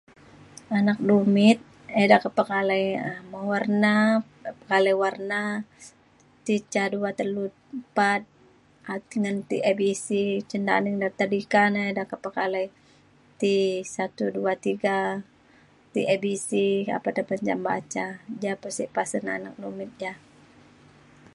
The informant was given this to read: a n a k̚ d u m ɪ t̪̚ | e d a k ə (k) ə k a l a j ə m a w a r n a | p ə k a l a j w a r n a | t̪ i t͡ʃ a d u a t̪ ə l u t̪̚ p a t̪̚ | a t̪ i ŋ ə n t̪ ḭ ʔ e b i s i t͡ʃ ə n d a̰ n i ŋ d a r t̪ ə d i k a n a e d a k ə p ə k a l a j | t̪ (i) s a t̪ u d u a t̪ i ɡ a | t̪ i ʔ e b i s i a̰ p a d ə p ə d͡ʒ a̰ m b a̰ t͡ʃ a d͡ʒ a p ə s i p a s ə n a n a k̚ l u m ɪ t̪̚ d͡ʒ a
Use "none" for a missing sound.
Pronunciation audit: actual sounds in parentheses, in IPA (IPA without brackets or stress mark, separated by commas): p, i